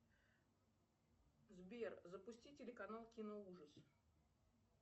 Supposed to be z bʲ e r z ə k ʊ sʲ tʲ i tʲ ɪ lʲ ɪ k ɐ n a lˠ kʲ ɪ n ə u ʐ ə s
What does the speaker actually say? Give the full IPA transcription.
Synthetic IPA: z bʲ e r z ə p ʊ sʲ tʲ i tʲ ɪ lʲ ɪ k ɐ n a lˠ kʲ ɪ n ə u ʐ ə s

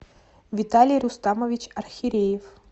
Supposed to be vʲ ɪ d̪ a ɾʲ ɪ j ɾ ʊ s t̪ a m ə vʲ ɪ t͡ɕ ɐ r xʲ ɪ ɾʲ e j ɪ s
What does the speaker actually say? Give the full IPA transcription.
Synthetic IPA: vʲ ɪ t̪ a lʲ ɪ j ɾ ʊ s t̪ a m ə vʲ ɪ t͡ɕ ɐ r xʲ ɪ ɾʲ e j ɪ f

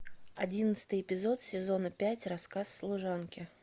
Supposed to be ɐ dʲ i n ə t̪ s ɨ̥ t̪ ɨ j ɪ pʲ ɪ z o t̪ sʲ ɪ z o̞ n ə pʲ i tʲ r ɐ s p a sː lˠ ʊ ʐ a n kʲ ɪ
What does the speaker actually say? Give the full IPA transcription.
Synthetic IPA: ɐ dʲ i n ə t̪ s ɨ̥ t̪ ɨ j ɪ pʲ ɪ z o t̪ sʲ ɪ z o̞ n ə pʲ æ tʲ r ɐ s k a sː lˠ ʊ ʐ a n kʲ ɪ

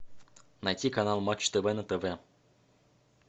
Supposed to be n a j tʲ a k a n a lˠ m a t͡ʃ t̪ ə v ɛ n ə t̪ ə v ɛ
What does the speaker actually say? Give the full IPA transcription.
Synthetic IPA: n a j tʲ i k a n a lˠ m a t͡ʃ t̪ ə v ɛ n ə t̪ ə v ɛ

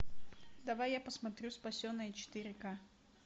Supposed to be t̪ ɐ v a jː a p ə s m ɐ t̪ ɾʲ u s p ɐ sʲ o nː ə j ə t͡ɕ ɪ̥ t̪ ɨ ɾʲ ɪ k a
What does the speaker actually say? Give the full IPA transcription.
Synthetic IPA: d̪ ɐ v a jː a p ə s m ɐ t̪ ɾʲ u s p ɐ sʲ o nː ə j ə t͡ɕ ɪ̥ t̪ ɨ ɾʲ ɪ k a

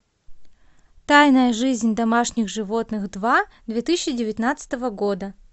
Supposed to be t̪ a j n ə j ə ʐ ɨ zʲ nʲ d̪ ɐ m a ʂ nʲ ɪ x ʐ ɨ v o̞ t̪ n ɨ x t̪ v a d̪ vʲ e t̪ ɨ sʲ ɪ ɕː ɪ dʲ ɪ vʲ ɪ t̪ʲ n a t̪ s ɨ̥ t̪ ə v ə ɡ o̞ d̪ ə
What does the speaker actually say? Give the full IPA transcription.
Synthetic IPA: t̪ a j n ə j ə ʐ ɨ zʲ nʲ d̪ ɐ m a ʂ nʲ ɪ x ʐ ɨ v o̞ t̪ n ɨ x d̪ v a d̪ vʲ e t̪ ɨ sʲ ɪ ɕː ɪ dʲ ɪ vʲ ɪ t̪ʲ n a t̪ s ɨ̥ t̪ ə v ə ɡ o̞ d̪ ə

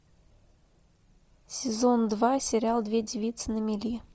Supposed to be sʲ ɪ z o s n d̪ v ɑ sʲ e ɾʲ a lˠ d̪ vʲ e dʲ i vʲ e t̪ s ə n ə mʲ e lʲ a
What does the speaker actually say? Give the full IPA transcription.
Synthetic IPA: sʲ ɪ z o n d̪ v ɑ sʲ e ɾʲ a lˠ d̪ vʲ e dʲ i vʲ i t̪ s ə n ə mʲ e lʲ i

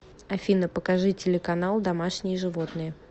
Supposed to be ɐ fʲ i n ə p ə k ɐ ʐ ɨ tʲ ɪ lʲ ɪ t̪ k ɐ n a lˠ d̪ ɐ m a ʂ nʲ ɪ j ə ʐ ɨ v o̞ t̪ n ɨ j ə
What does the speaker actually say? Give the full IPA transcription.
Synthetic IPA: ɐ fʲ i n ə p ə k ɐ ʐ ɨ tʲ ɪ lʲ ɪ k ɐ n a lˠ d̪ ɐ m a ʂ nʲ ɪ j ə ʐ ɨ v o̞ t̪ n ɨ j ə

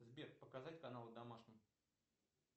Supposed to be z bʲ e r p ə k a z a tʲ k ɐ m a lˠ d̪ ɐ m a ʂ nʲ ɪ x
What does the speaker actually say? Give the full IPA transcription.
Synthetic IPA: z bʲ e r p ə k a z a tʲ k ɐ n a lˠ d̪ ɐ m a ʂ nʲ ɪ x

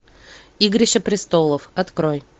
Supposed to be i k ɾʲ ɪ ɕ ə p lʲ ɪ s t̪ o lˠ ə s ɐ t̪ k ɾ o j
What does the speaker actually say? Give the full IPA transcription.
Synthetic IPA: i ɡ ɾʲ ɪ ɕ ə p ɾʲ ɪ s t̪ o lˠ ə f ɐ t̪ k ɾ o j

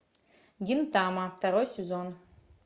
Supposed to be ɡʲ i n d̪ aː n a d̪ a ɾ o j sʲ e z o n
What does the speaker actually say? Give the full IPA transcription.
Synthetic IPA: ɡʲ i n t̪ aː m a t̪ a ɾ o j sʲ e z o n

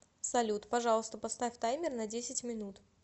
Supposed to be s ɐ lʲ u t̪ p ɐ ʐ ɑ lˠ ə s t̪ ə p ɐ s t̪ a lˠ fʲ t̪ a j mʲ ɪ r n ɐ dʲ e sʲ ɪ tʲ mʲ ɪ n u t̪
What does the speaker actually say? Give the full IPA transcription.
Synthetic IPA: s ɐ lʲ u t̪ p ɐ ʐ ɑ lˠ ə s t̪ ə p ɐ s t̪ a fʲ t̪ a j mʲ ɪ r n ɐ dʲ e sʲ ɪ tʲ mʲ ɪ n u t̪

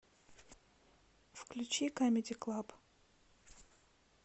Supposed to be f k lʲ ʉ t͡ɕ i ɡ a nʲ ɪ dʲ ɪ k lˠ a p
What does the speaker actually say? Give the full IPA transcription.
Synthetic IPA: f k lʲ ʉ t͡ɕ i k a mʲ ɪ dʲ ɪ k lˠ a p

